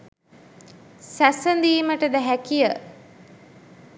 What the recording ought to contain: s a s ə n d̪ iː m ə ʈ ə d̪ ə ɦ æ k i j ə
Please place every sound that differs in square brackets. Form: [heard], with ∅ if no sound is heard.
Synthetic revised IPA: s [æ] s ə n d̪ iː m ə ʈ ə d̪ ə ɦ æ k i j ə